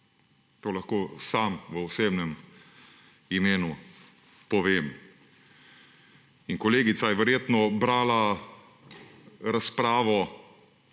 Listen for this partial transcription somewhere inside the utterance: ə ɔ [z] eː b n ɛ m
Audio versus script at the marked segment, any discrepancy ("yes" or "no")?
yes